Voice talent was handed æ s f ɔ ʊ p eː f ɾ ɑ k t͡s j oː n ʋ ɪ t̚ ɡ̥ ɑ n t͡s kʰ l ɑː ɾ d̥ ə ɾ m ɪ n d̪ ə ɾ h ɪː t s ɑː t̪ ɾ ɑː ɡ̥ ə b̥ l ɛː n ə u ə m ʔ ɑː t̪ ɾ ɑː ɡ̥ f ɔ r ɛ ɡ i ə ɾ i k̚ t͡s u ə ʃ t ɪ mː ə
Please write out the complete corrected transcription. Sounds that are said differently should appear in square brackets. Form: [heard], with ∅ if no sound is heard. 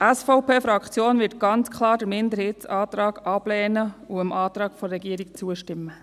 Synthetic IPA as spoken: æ s f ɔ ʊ p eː f ɾ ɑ k t͡s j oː n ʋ ɪ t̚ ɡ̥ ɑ n t͡s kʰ l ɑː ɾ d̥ ə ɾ m ɪ n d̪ ə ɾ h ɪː t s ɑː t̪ ɾ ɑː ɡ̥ [ɑ] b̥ l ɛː n ə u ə m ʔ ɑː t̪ ɾ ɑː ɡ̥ f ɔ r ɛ ɡ i ə ɾ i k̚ t͡s u ə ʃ t ɪ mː ə